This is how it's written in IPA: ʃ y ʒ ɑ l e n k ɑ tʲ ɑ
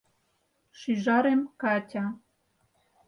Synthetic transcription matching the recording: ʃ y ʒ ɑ ɾ e m k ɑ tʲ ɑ